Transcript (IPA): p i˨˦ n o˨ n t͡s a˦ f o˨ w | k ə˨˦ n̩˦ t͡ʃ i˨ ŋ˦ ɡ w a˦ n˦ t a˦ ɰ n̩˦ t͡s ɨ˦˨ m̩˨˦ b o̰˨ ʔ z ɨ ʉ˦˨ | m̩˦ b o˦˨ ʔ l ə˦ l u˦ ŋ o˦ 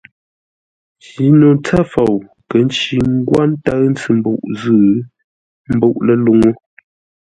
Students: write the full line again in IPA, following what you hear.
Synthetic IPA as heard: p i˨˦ n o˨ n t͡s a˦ f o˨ w | k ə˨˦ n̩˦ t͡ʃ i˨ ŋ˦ ɡ w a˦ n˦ t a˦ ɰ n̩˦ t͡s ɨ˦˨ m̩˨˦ b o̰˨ ʔ z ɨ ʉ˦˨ | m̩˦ b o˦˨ ʔ l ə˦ l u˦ ŋ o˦